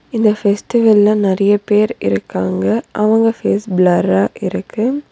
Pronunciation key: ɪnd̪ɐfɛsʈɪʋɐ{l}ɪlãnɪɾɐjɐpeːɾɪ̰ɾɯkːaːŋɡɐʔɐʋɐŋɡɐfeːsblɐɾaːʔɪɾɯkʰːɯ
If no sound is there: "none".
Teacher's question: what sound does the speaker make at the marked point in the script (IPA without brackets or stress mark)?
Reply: l